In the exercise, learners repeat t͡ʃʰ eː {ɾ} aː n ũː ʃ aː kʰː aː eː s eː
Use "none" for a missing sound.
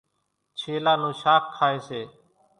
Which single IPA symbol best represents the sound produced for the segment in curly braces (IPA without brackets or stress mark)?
l